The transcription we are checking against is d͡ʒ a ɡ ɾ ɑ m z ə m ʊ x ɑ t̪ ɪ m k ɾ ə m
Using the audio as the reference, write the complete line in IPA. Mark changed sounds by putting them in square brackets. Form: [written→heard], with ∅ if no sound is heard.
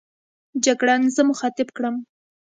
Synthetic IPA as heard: d͡ʒ a ɡ [ɾ→ɽ] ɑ [m→n] z ə m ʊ x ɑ t̪ ɪ [m→b] k [ɾ→ɽ] ə m